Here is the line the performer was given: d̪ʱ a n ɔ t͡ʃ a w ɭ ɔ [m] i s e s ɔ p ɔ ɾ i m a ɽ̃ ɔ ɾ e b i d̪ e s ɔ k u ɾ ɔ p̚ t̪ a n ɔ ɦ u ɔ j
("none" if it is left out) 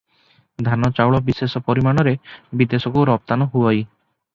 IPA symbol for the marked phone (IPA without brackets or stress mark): b